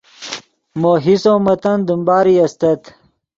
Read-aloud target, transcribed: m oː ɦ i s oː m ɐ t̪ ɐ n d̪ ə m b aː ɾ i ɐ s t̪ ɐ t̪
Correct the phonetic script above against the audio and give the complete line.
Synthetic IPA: m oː ɦ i s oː m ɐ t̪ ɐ n d̪ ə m b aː ɾ i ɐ s t̪ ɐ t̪